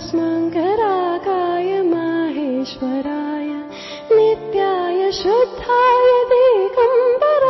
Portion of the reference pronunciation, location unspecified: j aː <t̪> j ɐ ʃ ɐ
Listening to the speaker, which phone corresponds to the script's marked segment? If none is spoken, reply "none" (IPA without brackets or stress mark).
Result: none